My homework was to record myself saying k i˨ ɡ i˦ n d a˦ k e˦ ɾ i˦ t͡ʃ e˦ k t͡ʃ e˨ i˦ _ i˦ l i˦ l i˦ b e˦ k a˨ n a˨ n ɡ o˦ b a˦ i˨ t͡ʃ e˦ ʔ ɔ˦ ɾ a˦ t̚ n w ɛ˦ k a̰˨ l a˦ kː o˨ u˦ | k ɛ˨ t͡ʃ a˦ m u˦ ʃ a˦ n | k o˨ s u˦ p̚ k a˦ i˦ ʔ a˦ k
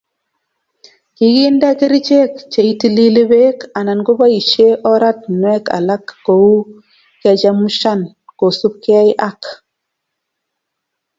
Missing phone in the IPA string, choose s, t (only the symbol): t